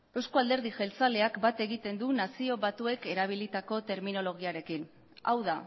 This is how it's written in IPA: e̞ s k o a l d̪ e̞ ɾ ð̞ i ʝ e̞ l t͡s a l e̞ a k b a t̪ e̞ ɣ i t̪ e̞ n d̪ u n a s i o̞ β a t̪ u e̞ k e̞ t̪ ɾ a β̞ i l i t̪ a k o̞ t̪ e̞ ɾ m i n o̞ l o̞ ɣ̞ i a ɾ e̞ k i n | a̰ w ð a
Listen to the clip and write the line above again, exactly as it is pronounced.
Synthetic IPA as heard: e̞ s k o a l d̪ e̞ ɾ ð̞ i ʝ e̞ l t͡s a l e̞ a k b a t̪ e̞ ɣ i t̪ e̞ n d̪ u n a s i o̞ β a t̪ u e̞ k e̞ ɾ a β̞ i l i t̪ a k o̞ t̪ e̞ ɾ m i n o̞ l o̞ ɣ̞ i a ɾ e̞ k i n | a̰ w ð a